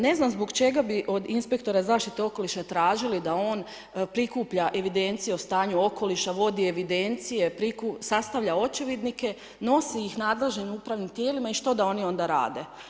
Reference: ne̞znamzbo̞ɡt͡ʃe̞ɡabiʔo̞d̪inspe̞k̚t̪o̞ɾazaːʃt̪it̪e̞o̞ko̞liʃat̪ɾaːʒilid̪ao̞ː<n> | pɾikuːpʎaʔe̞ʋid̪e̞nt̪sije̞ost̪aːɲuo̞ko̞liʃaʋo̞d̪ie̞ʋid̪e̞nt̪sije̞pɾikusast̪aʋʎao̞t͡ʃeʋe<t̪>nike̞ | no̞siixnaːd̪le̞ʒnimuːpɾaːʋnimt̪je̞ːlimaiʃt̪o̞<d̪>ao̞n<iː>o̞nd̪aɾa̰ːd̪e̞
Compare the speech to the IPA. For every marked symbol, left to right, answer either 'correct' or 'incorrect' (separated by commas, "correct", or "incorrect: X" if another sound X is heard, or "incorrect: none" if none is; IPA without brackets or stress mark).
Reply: correct, incorrect: d̪, correct, incorrect: i